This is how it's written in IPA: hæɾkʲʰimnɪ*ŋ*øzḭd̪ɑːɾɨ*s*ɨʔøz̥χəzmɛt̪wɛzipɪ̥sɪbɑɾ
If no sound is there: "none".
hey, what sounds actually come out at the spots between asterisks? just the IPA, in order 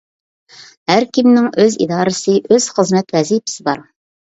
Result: ŋ, s

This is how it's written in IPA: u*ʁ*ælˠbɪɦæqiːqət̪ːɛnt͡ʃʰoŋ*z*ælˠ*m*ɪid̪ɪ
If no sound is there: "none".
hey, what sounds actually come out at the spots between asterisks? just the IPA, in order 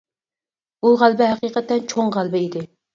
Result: ʁ, ʁ, b

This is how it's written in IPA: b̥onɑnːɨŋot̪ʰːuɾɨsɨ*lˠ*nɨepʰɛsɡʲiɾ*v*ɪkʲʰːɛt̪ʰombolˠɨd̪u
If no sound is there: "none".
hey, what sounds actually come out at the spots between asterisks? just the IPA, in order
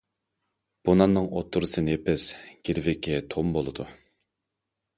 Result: none, v

